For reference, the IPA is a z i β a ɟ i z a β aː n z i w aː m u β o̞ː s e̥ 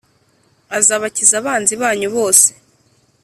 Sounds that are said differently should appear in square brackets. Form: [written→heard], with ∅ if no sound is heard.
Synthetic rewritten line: a z [i→a] β a [ɟ→c] i z a β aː n z i [w→β] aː [m→ɲ] u β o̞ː s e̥